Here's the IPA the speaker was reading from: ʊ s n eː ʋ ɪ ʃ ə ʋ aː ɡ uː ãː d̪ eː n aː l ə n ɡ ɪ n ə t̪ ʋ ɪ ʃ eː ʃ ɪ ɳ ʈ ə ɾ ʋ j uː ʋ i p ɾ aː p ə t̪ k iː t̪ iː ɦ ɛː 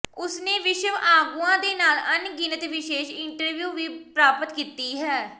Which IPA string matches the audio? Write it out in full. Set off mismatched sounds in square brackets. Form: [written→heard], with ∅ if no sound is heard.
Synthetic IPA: ʊ s n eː ʋ ɪ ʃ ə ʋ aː ɡ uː ãː d̪ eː n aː l ə n ɡ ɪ n ə t̪ ʋ ɪ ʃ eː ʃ ɪ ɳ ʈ ə ɾ ʋ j uː ʋ [i→iː] p ɾ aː p ə t̪ k iː t̪ iː ɦ ɛː